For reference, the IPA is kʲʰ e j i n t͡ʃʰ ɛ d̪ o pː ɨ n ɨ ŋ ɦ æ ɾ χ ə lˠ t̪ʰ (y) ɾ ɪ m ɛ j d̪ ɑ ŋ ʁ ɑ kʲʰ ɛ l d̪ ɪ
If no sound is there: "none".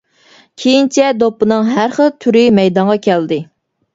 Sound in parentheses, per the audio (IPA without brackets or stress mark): y